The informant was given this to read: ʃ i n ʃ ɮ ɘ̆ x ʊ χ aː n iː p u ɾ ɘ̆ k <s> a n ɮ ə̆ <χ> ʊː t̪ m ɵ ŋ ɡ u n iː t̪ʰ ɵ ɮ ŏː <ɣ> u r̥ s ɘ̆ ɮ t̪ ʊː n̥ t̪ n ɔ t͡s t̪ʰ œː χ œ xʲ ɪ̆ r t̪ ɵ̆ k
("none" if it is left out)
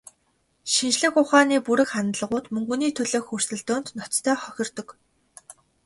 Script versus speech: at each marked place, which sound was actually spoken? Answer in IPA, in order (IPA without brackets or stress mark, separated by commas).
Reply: χ, ʁ, x